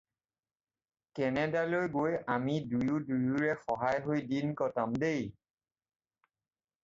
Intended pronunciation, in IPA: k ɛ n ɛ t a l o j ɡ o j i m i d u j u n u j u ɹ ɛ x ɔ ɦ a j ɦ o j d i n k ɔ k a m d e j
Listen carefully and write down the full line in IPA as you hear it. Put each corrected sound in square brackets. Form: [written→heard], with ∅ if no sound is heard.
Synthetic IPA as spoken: k ɛ n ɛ [t→d] a l o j ɡ o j [i→a] m i d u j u [n→d] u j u ɹ ɛ x ɔ ɦ a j ɦ o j d i n k ɔ [k→t] a m d e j